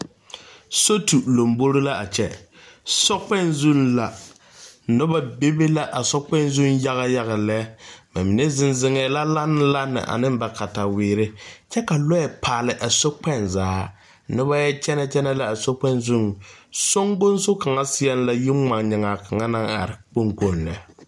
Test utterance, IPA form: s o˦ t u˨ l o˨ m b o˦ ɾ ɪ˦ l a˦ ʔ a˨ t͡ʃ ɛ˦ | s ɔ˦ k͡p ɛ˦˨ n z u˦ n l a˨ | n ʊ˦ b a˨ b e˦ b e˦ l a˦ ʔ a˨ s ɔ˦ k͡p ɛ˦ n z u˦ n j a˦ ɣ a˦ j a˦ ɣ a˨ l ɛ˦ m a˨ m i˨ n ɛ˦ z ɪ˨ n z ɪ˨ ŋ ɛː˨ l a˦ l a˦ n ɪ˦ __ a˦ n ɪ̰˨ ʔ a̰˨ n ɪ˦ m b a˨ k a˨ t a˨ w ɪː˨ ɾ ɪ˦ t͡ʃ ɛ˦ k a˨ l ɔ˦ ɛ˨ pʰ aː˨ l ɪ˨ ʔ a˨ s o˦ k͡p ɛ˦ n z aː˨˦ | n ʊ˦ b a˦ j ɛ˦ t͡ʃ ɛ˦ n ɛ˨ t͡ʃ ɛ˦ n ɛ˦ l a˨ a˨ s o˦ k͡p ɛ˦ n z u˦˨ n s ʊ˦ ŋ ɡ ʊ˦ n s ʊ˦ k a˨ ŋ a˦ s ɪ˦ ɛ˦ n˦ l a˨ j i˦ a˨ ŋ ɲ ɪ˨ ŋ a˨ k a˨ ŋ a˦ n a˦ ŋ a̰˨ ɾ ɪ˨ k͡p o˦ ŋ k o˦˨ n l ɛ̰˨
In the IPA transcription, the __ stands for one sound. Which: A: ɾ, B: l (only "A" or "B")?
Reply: B